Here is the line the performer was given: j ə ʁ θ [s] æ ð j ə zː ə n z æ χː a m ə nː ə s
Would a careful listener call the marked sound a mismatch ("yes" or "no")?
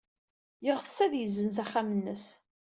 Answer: no